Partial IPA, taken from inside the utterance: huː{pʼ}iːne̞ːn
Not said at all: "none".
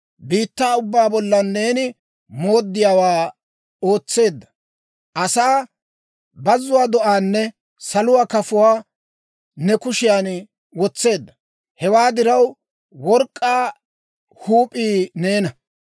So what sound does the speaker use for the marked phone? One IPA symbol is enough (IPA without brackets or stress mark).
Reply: pʼ